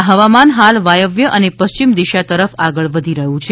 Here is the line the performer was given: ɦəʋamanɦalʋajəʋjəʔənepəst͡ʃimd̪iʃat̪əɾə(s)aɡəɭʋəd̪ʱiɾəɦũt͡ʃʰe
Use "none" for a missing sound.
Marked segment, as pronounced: f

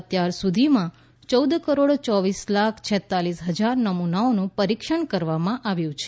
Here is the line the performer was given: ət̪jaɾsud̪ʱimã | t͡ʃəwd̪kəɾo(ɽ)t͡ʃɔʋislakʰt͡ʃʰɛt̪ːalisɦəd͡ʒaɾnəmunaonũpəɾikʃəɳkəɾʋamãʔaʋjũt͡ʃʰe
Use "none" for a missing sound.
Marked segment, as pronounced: ɽ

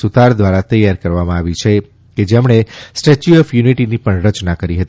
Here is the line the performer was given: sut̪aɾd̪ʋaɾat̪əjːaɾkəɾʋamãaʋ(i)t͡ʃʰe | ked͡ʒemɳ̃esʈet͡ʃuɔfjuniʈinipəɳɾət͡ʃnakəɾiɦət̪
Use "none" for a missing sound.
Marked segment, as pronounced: i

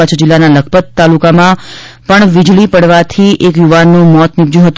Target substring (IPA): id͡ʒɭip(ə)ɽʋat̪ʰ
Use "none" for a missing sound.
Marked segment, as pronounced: ə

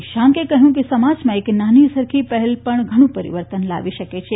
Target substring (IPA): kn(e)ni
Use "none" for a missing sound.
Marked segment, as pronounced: a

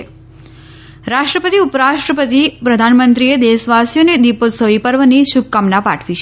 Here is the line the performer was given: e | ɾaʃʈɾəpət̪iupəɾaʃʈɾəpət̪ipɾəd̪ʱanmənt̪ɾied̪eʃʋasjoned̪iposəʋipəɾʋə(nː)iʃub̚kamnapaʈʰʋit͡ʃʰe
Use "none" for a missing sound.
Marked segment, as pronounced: n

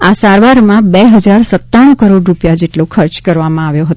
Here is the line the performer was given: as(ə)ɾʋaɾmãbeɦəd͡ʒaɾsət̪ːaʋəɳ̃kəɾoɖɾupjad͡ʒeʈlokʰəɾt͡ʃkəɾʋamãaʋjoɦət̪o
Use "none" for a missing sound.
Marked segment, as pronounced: a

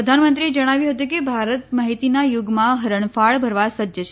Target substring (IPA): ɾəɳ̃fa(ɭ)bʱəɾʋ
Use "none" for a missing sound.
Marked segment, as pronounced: ɭ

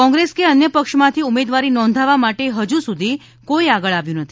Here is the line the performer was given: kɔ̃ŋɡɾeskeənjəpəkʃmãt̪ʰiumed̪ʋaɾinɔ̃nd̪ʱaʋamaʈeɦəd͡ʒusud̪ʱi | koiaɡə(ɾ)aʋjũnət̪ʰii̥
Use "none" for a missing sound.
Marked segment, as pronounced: ɭ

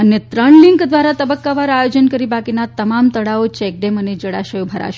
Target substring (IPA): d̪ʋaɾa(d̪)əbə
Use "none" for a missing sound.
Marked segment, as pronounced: t̪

